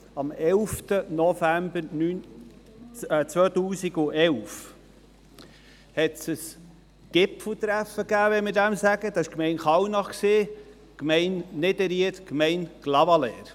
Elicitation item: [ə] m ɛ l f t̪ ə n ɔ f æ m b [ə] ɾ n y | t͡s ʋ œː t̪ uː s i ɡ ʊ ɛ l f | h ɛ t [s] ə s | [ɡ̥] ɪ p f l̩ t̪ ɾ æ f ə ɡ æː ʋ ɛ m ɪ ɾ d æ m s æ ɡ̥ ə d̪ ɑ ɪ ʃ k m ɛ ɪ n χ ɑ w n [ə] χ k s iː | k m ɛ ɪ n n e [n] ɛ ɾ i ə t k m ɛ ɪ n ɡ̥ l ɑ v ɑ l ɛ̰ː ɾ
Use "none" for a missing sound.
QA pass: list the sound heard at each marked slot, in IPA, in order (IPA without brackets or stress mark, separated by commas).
ɑ, ə, s, ɡ̥, ɑ, d